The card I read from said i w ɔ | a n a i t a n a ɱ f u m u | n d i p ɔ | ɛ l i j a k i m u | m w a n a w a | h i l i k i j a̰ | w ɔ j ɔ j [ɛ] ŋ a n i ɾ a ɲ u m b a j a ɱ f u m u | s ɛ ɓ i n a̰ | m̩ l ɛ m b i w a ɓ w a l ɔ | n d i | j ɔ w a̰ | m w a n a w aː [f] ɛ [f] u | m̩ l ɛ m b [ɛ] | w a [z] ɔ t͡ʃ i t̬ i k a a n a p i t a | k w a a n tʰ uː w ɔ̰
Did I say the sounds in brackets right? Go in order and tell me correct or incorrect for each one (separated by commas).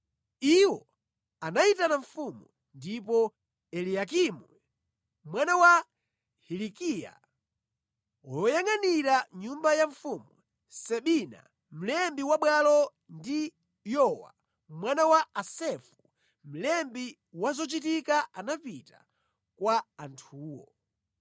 incorrect, incorrect, correct, incorrect, correct